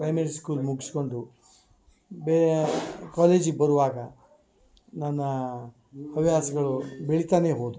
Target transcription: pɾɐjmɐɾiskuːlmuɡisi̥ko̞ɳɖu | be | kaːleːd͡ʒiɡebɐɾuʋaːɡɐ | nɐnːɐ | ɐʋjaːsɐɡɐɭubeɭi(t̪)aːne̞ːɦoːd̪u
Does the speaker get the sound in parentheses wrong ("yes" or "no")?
no